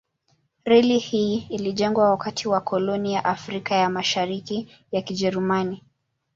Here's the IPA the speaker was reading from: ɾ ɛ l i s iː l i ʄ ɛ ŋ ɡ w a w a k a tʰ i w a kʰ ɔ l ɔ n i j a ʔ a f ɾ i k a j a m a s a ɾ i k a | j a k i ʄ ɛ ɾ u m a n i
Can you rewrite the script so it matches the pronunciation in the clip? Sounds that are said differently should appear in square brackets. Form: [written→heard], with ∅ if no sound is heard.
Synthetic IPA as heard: ɾ ɛ l i [s→h] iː l i ʄ ɛ ŋ ɡ w a w a k a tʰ i w a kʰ ɔ l ɔ n i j a ʔ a f ɾ i k a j a m a [s→ʃ] a ɾ i k [a→i] | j a k i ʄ ɛ ɾ u m a n i